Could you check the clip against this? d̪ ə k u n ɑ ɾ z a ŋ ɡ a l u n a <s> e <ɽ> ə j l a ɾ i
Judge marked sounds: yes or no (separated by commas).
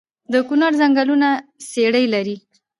yes, yes